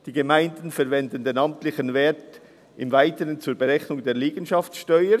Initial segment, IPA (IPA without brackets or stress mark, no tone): d̥